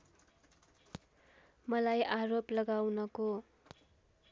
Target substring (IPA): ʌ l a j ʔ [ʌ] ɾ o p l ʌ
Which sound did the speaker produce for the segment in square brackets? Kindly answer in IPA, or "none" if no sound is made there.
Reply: a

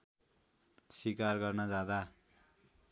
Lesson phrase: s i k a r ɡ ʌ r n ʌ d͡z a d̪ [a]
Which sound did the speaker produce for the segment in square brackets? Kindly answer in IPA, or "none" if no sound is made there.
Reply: a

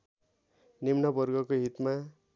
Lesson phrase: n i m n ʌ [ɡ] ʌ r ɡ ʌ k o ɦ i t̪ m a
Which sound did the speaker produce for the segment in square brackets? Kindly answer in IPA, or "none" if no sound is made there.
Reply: b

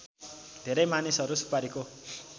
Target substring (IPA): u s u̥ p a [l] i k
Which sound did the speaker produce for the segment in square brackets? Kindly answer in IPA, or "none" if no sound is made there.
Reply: ɾ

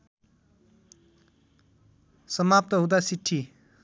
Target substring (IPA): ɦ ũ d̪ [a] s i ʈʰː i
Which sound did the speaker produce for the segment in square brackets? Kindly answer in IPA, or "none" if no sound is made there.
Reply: a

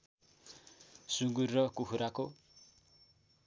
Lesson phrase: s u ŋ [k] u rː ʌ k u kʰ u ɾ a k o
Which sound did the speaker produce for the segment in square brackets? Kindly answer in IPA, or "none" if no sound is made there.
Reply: ɡ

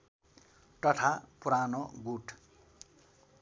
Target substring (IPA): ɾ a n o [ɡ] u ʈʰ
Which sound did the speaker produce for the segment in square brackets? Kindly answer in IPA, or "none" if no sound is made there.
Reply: ɡ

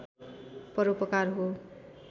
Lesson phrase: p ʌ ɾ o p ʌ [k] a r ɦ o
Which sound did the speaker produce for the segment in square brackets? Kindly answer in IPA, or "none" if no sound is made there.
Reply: k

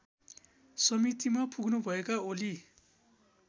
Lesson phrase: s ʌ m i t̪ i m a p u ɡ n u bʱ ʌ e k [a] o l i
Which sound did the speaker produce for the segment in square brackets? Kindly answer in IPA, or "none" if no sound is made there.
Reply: a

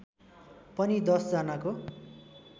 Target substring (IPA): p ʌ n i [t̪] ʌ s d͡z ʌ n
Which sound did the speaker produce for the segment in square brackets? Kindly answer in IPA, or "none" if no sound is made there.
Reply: d̪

